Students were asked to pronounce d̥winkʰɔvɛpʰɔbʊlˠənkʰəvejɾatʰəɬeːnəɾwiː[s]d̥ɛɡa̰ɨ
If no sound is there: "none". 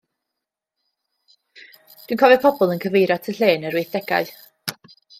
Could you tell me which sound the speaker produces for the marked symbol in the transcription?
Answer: θ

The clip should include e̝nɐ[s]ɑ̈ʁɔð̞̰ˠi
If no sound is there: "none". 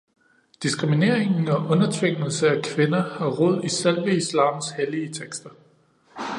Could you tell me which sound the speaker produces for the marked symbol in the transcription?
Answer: h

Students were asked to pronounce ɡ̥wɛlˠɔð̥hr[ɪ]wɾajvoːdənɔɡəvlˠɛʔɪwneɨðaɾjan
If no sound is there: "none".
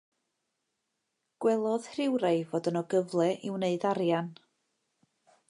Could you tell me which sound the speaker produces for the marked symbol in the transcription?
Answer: ɪ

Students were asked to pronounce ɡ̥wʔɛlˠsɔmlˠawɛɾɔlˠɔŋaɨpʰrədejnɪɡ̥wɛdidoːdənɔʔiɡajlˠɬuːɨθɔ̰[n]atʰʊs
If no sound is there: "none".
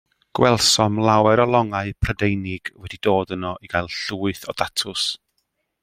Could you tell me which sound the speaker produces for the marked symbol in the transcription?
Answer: d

